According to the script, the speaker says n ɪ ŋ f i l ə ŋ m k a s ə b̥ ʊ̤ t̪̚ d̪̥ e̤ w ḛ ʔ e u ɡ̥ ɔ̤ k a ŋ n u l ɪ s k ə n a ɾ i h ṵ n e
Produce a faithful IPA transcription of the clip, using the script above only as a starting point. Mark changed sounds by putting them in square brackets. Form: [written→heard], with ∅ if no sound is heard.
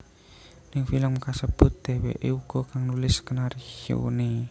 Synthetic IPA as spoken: n ɪ ŋ f i l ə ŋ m k a s ə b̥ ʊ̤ t̪̚ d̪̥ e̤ w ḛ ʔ e u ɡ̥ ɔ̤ k a ŋ n u l ɪ s k ə n a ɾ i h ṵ n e